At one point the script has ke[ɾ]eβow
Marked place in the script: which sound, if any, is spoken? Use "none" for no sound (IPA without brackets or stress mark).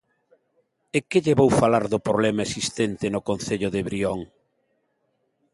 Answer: ʎ